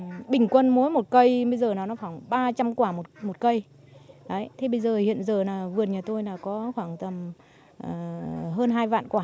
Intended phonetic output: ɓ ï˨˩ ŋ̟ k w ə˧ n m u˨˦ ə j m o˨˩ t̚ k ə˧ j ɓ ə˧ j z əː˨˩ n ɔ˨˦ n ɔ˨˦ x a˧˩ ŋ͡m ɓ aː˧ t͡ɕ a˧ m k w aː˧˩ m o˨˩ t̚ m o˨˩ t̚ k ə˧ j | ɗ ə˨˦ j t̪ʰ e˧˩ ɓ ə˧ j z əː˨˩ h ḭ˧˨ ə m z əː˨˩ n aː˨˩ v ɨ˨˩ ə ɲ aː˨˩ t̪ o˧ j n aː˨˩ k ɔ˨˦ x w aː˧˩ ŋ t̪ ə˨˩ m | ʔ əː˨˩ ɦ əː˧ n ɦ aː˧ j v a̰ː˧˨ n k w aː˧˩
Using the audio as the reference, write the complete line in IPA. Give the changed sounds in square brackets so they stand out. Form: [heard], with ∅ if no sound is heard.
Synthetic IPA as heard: ɓ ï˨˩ ŋ̟ k w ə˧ n m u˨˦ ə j m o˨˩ t̚ k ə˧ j ɓ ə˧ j z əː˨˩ n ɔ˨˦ n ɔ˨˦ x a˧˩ ŋ͡m ɓ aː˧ t͡ɕ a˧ m k w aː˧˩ m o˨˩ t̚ m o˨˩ t̚ k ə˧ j | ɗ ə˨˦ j t̪ʰ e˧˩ ɓ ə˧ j z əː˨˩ h ḭ˧˨ ə [n] z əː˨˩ n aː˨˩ v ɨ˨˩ ə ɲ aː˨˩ t̪ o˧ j n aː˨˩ k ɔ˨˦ x w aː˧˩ ŋ t̪ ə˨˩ m | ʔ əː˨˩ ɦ əː˧ n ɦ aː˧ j v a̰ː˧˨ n k w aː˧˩